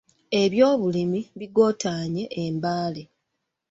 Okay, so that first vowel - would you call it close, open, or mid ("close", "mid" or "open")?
mid